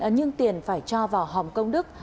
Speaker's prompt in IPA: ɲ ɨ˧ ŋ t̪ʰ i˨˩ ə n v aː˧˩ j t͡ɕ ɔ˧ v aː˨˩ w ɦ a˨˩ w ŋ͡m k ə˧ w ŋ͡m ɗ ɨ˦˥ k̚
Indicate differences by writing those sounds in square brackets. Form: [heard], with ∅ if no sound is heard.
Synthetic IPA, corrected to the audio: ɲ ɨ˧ ŋ [t̪] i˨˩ ə n [f] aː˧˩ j t͡ɕ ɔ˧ v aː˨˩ w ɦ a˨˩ w ŋ͡m k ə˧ w ŋ͡m ɗ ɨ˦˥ k̚